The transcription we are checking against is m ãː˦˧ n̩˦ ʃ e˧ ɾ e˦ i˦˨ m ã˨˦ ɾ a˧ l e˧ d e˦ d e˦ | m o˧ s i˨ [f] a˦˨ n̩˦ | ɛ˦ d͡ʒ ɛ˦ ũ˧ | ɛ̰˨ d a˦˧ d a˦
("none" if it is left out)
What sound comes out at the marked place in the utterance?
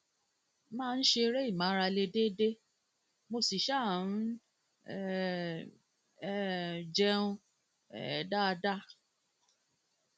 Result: ʃ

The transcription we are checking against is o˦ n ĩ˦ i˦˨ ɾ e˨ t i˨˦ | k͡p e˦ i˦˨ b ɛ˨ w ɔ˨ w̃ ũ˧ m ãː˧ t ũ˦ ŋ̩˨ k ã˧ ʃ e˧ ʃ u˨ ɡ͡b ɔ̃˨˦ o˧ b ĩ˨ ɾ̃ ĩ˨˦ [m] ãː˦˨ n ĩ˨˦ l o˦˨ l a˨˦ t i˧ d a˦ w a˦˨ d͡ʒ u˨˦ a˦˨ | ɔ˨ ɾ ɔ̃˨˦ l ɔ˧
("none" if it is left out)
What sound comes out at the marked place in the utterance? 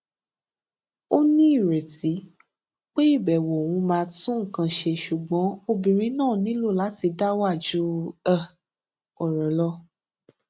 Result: n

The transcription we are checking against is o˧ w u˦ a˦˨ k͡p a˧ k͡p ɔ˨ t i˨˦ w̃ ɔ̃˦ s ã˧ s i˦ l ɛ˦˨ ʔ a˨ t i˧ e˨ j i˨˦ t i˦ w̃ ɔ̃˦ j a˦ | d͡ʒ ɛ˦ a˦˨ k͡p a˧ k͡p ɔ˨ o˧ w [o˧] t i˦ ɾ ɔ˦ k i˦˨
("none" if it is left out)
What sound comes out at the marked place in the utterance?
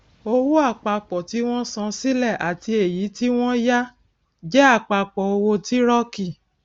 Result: o˧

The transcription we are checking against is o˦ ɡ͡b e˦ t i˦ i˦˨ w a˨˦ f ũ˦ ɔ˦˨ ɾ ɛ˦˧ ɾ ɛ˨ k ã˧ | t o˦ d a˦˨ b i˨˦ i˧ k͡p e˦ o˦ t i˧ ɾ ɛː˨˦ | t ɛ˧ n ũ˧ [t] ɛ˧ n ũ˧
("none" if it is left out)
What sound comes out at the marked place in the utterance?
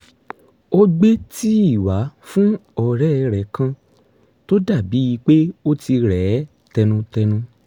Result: t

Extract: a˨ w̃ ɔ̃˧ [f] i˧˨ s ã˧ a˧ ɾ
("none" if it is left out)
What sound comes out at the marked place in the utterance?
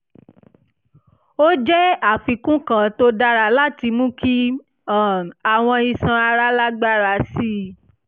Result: none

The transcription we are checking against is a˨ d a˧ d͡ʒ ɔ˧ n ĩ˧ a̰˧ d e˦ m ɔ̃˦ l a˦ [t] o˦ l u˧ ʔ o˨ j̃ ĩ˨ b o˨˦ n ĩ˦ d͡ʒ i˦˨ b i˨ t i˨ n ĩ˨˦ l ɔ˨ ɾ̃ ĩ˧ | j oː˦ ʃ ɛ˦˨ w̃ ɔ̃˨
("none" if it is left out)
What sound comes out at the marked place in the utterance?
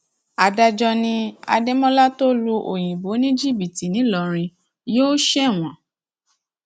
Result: t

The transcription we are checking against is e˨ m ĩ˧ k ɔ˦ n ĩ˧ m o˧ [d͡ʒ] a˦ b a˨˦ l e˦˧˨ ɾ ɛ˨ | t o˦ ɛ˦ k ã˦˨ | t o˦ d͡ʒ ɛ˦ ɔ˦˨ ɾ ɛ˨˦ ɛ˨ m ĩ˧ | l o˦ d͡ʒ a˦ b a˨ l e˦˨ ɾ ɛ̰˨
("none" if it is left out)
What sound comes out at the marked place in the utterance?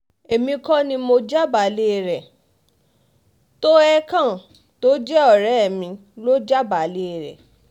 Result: d͡ʒ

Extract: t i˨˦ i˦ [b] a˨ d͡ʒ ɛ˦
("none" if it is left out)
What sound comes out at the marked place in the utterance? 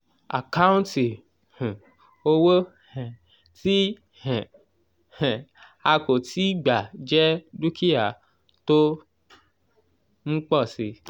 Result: ɡ͡b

